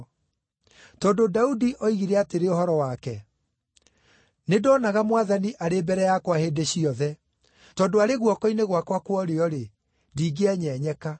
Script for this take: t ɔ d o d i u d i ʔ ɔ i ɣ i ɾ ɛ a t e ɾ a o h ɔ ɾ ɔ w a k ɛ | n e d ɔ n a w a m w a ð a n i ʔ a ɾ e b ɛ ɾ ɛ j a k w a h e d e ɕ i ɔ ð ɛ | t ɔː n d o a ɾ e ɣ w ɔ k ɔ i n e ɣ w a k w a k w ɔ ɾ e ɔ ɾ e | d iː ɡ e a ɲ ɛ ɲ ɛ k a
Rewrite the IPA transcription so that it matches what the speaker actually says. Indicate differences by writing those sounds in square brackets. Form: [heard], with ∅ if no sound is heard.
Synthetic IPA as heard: t ɔ d o d [a] u d i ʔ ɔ i ɣ i ɾ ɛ a t e ɾ [e] o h ɔ ɾ ɔ w a k ɛ | n e d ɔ n a [ɣ] a m w a ð a n i ʔ a ɾ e b ɛ ɾ ɛ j a k w a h e d e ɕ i ɔ ð ɛ | t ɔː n d o a ɾ e ɣ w ɔ k ɔ i n e ɣ w a k w a k w ɔ ɾ e ɔ ɾ e | d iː ɡ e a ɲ ɛ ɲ ɛ k a

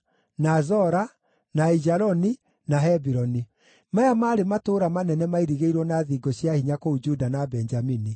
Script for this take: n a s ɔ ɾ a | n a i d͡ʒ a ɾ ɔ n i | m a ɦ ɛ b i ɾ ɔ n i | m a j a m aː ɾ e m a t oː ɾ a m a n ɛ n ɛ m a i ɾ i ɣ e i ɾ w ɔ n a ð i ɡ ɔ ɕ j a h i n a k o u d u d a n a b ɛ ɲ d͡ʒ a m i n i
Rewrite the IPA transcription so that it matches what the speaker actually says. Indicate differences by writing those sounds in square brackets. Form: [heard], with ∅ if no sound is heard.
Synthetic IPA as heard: n a [z] ɔ ɾ a | n a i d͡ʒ a ɾ ɔ n i | [n] a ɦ ɛ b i ɾ ɔ n i | m a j a m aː ɾ e m a t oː ɾ a m a n ɛ n ɛ m a i ɾ i ɣ e i ɾ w ɔ n a ð i ɡ ɔ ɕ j a h i [ɲ] a k o u [d͡ʒ] u d a n a b ɛ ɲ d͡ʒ a m i n i

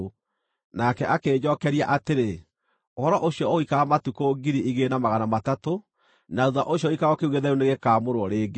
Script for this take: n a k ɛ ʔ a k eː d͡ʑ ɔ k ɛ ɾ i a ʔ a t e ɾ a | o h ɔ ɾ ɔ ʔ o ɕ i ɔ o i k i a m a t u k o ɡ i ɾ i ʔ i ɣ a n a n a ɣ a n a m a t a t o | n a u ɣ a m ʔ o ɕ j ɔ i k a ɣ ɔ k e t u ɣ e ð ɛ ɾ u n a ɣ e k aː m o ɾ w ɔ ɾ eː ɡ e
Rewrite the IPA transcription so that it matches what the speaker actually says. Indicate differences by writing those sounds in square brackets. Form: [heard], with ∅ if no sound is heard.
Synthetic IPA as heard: n a k ɛ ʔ a k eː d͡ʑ ɔ k ɛ ɾ i a ʔ a t e ɾ [e] | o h ɔ ɾ ɔ ʔ o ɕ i ɔ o i k [a] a m a t u k o ɡ i ɾ i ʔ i ɣ [e] n a [m] a ɣ a n a m a t a t o | n a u [ð] a [∅] ʔ o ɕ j ɔ i k a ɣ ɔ k e [∅] u ɣ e ð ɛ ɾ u n [e] ɣ e k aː m o ɾ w ɔ ɾ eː ɡ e

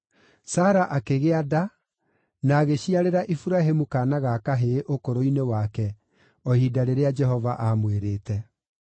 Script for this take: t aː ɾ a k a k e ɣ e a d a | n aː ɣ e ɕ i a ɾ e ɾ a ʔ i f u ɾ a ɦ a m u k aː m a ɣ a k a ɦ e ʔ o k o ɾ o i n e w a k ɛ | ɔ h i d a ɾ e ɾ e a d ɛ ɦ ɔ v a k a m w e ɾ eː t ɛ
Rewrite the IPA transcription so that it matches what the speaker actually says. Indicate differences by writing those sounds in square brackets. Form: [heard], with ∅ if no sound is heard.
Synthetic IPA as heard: [s] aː ɾ a [ʔ] a k e ɣ e a d a | n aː ɣ e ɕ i a ɾ e ɾ a ʔ i f u ɾ a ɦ [e] m u k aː [n] a ɣ a k a ɦ e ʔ o k o ɾ o i n e w a k ɛ | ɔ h i d a ɾ e ɾ e a [d͡ʒ] ɛ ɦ ɔ v a [ʔ] a m w e ɾ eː t ɛ

